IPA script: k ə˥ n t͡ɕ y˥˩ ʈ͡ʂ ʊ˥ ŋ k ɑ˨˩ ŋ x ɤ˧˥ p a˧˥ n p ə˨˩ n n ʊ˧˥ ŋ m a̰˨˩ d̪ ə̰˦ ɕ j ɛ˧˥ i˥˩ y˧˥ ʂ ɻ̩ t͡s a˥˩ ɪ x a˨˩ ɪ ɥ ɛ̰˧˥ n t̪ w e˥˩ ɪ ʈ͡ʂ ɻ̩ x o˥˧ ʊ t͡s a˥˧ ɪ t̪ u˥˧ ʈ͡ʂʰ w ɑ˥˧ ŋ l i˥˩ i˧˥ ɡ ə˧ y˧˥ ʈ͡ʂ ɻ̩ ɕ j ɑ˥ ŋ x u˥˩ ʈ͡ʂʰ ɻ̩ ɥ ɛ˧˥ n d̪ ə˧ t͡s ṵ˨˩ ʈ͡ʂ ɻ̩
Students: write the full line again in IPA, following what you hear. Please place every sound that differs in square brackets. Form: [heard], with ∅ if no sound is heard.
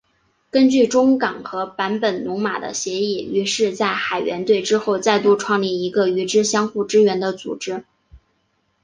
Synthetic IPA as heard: k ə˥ n t͡ɕ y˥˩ ʈ͡ʂ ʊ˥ ŋ k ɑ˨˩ ŋ x ɤ˧˥ p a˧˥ n p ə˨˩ n n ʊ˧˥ ŋ m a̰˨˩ d̪ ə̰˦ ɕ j ɛ˧˥ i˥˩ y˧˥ ʂ ɻ̩ t͡s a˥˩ ɪ x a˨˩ ɪ ɥ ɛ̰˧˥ n t̪ w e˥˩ ɪ ʈ͡ʂ ɻ̩ x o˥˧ ʊ t͡s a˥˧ ɪ t̪ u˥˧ ʈ͡ʂʰ w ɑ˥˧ ŋ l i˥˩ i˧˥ ɡ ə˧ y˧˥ ʈ͡ʂ ɻ̩ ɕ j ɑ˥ ŋ x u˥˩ [ʈ͡ʂ] ɻ̩ ɥ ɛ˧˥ n d̪ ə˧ t͡s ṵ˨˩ ʈ͡ʂ ɻ̩

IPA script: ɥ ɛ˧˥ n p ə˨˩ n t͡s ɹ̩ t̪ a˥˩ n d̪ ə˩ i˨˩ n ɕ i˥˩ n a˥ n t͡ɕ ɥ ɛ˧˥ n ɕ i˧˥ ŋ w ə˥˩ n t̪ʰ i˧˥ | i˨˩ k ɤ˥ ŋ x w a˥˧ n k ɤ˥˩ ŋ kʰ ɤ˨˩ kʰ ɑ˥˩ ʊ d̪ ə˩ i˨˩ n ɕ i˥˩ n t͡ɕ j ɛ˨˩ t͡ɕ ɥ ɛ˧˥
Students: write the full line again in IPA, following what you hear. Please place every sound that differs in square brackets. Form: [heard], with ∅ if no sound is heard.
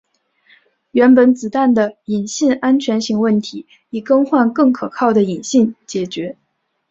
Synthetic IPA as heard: ɥ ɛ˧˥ n p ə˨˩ n t͡s ɹ̩ t̪ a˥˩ n d̪ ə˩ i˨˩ n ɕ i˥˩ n a˥ n [t͡ɕʰ] ɥ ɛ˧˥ n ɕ [i˥˧] ŋ w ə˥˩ n t̪ʰ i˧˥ | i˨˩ k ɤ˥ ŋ x w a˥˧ n k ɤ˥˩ ŋ kʰ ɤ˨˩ kʰ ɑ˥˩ ʊ d̪ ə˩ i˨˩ n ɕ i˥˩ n t͡ɕ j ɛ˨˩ t͡ɕ ɥ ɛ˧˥

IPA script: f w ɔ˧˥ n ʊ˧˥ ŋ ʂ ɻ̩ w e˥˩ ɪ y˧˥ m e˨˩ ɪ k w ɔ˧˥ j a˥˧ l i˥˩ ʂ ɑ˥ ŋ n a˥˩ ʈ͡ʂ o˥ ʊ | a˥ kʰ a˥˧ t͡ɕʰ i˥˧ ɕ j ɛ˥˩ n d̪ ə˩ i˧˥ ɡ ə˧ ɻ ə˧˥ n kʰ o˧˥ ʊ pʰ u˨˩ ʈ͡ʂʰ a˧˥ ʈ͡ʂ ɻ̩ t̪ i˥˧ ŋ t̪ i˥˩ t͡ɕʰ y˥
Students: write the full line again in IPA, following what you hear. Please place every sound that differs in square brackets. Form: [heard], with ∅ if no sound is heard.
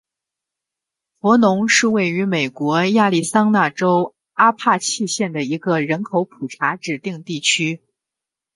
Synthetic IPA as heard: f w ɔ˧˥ n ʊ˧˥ ŋ ʂ ɻ̩ w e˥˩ ɪ y˧˥ m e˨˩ ɪ k w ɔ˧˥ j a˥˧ l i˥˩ [s] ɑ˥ ŋ n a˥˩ ʈ͡ʂ o˥ ʊ | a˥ [pʰ] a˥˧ t͡ɕʰ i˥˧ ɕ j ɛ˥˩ n d̪ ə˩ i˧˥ ɡ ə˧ ɻ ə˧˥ n kʰ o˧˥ ʊ pʰ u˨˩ ʈ͡ʂʰ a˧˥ ʈ͡ʂ ɻ̩ t̪ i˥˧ ŋ t̪ i˥˩ t͡ɕʰ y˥

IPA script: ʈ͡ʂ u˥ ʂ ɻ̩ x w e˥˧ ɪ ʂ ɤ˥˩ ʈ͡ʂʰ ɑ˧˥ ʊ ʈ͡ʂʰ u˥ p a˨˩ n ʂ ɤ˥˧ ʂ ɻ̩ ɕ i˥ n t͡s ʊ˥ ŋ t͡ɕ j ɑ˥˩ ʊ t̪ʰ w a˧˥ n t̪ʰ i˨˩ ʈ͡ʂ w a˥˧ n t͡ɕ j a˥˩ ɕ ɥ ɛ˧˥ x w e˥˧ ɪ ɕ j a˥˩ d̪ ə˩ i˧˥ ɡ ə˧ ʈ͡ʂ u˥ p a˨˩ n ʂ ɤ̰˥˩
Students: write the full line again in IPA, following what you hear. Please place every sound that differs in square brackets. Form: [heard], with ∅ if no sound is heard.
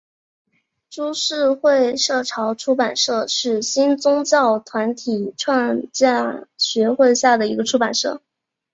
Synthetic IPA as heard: ʈ͡ʂ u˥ ʂ ɻ̩ x w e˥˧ ɪ ʂ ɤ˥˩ ʈ͡ʂʰ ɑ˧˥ ʊ ʈ͡ʂʰ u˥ p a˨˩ n ʂ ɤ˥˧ ʂ ɻ̩ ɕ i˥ n t͡s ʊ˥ ŋ t͡ɕ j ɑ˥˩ ʊ t̪ʰ w a˧˥ n t̪ʰ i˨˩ [ʈ͡ʂʰ] w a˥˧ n t͡ɕ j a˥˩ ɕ ɥ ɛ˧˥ x w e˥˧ ɪ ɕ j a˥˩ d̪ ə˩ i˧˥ ɡ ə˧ [ʈ͡ʂʰ] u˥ p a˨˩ n ʂ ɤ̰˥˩

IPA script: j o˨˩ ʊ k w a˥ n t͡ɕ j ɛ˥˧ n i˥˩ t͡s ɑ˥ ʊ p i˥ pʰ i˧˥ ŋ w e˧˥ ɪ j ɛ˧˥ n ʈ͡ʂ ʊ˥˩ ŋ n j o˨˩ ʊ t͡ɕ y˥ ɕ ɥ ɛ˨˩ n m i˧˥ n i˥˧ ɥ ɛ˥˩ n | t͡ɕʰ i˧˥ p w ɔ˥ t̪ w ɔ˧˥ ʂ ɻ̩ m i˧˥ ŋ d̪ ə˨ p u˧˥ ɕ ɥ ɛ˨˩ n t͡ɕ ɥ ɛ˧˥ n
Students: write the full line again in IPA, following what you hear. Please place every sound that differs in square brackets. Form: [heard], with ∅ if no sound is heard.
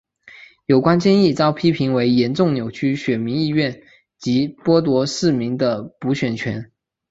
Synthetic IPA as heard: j o˨˩ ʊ k w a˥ n t͡ɕ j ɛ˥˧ n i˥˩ t͡s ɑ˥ ʊ [pʰ] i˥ pʰ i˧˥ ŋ w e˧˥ ɪ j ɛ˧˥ n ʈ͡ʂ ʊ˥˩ ŋ n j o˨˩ ʊ [t͡ɕʰ] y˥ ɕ ɥ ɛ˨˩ n m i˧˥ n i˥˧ ɥ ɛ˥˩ n | [t͡ɕ] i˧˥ p w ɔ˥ t̪ w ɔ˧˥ ʂ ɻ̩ m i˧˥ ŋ d̪ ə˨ p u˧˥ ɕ ɥ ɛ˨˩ n [t͡ɕʰ] ɥ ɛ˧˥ n

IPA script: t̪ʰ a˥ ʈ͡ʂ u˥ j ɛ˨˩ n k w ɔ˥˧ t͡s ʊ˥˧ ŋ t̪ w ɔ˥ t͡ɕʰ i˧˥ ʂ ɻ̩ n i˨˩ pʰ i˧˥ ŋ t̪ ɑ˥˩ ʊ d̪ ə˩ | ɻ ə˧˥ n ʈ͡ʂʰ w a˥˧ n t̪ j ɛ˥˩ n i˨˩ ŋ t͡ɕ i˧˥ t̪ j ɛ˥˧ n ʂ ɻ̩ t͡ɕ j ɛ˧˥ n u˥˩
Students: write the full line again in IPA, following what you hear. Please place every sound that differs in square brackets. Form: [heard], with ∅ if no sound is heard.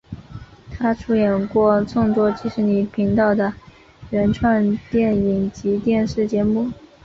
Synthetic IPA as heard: t̪ʰ a˥ [ʈ͡ʂʰ] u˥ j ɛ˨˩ n k w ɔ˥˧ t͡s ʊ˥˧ ŋ t̪ w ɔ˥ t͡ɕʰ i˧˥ ʂ ɻ̩ n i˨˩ pʰ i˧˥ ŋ t̪ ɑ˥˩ ʊ d̪ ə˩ | ɻ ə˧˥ n ʈ͡ʂʰ w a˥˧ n t̪ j ɛ˥˩ n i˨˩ ŋ t͡ɕ i˧˥ t̪ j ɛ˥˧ n ʂ ɻ̩ t͡ɕ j ɛ˧˥ [m] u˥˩

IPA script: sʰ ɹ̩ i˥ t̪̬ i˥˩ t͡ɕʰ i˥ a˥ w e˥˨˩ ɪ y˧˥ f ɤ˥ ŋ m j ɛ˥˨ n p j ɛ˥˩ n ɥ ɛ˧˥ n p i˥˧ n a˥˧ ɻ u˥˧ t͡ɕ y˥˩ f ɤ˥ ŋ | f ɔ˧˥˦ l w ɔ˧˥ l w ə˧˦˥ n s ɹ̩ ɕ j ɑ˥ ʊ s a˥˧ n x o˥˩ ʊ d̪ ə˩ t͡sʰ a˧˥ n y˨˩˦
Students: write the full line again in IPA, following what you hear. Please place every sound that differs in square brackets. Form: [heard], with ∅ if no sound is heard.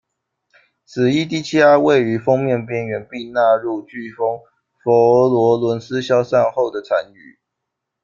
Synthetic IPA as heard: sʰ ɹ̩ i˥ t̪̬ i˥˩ t͡ɕʰ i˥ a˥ w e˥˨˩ ɪ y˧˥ f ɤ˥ ŋ m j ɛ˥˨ n p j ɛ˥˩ n ɥ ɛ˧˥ n p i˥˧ n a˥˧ ɻ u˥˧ t͡ɕ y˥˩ f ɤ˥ ŋ | f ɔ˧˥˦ l w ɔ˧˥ l w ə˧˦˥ n s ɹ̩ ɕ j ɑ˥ ʊ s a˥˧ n x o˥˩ ʊ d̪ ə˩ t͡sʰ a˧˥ n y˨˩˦

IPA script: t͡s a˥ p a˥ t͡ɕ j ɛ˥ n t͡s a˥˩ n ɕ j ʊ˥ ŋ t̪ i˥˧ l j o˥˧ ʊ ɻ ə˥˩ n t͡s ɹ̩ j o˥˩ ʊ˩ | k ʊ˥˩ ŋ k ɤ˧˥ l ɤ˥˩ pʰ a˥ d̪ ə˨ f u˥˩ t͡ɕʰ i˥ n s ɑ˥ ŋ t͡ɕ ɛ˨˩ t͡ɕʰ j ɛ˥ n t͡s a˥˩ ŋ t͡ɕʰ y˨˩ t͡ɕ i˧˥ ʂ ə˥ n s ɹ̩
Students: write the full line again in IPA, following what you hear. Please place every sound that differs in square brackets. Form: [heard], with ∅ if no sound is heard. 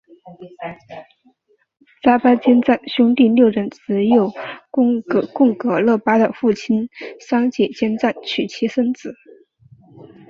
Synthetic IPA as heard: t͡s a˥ p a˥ t͡ɕ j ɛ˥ n t͡s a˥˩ n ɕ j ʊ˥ ŋ t̪ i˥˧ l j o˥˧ ʊ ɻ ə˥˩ n t͡s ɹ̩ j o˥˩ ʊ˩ | k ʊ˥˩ ŋ k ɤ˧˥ l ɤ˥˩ [p] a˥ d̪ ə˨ f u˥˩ t͡ɕʰ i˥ n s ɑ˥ ŋ t͡ɕ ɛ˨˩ [t͡ɕ] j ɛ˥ n t͡s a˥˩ [n] t͡ɕʰ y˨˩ [t͡ɕʰ] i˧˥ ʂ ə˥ n [t͡s] ɹ̩

